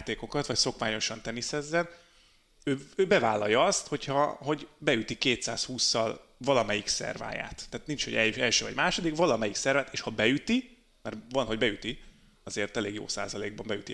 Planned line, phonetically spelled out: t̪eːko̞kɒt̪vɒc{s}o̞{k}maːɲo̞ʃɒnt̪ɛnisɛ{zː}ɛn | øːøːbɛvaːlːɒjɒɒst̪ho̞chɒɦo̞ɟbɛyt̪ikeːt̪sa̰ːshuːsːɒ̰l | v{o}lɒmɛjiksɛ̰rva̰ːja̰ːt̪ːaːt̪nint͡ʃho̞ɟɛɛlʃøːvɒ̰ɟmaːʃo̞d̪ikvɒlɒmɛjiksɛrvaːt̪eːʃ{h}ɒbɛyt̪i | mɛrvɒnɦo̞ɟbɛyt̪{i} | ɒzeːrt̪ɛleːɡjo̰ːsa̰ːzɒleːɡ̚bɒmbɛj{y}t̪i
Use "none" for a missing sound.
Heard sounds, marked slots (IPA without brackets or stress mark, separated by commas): s, k, zː, ɒ, h, i, y